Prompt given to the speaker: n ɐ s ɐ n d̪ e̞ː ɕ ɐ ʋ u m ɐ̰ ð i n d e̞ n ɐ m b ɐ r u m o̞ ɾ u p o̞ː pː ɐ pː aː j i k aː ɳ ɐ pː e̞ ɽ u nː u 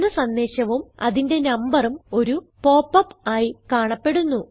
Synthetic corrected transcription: n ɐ s ɐ n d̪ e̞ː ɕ ɐ ʋ u m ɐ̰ ð i n d e̞ n ɐ m b ɐ r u m o̞ ɾ u p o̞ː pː ɐ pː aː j i k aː ɳ ɐ pː e̞ ɽ u nː u